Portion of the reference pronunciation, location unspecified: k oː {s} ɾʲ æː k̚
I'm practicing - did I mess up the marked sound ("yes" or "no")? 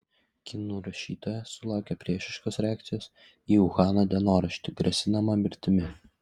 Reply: no